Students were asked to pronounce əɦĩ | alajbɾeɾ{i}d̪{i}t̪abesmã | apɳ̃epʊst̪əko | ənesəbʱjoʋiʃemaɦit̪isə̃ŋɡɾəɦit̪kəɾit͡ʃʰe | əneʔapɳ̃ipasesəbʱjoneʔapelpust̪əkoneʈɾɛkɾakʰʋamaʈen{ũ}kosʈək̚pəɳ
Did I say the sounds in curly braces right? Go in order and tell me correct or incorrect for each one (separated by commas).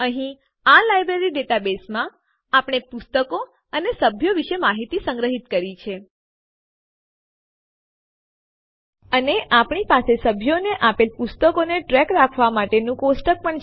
correct, incorrect, correct